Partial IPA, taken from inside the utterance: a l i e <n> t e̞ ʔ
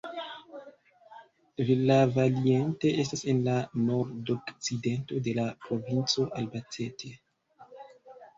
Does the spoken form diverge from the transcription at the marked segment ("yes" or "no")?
no